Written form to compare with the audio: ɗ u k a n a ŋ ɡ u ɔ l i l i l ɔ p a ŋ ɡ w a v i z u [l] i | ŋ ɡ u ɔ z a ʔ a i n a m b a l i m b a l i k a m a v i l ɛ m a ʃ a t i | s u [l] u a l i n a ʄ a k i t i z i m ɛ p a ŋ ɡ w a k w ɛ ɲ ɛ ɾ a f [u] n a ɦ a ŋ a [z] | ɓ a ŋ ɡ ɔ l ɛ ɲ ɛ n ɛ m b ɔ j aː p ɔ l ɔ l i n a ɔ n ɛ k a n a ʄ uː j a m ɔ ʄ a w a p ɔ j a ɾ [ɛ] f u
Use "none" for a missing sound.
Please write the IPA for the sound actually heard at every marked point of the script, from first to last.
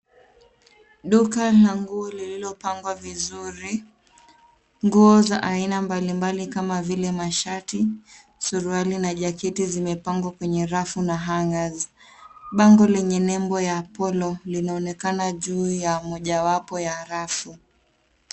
ɾ, ɾ, u, z, a

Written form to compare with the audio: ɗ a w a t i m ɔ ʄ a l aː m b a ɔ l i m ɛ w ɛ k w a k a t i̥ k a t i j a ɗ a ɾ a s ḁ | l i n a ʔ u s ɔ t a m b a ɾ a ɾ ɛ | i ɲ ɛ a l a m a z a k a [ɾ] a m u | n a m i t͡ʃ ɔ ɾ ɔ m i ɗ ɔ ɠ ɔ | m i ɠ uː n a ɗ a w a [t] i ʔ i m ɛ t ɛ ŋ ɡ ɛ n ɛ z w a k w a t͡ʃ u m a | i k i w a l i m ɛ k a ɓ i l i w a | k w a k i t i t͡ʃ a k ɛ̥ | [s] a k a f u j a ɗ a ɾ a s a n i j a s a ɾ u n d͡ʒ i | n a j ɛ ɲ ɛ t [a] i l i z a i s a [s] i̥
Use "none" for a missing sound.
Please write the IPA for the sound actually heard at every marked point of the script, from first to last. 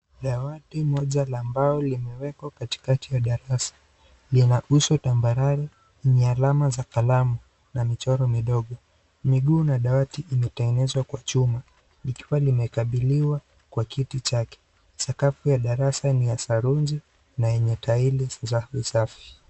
l, t, s, a, f

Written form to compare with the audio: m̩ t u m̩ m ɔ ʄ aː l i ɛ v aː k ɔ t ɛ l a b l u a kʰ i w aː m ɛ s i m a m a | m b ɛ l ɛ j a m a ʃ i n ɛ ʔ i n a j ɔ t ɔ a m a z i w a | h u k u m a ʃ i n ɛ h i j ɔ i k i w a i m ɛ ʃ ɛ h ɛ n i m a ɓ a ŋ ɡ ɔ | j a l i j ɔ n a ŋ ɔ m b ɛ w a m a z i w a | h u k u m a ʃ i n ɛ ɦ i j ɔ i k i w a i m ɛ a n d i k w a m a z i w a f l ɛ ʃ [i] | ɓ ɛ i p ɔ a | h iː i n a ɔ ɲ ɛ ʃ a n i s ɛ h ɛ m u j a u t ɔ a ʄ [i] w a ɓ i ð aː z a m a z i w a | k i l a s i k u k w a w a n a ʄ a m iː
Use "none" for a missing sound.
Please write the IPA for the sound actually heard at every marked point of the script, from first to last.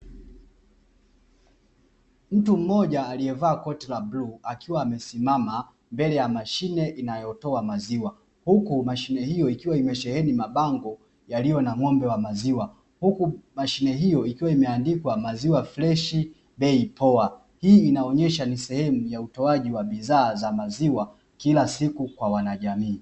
i, i

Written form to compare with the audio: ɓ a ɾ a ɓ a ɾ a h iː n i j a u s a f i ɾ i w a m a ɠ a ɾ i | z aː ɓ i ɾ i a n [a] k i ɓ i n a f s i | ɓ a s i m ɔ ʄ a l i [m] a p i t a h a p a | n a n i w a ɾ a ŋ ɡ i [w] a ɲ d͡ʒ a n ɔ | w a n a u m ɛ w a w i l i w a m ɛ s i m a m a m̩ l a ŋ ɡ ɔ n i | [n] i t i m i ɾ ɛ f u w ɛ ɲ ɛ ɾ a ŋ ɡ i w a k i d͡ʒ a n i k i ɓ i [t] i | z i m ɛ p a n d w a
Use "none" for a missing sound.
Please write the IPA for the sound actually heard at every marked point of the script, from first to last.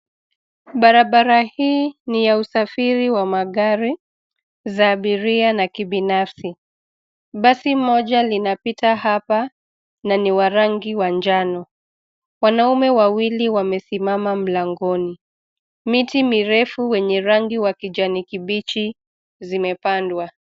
a, n, w, m, t͡ʃ

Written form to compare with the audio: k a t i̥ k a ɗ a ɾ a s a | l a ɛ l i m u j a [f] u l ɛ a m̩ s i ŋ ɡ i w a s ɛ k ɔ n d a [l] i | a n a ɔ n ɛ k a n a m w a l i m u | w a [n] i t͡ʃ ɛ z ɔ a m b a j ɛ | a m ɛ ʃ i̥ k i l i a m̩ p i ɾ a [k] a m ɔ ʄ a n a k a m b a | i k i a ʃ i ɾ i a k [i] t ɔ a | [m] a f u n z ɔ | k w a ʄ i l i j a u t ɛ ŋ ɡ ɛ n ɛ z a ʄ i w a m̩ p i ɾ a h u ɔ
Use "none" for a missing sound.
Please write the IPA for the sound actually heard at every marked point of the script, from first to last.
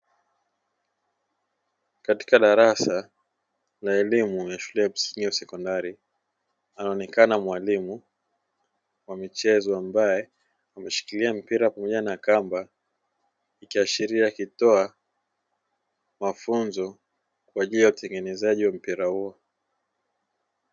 ʃ, ɾ, m, p, i, m

